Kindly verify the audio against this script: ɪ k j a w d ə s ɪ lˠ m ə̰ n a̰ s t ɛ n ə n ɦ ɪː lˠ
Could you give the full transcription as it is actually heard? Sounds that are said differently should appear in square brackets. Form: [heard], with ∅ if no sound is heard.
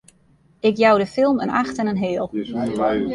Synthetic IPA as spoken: ɪ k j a w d ə [f] ɪ lˠ m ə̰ n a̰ [x] t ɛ n ə n ɦ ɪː lˠ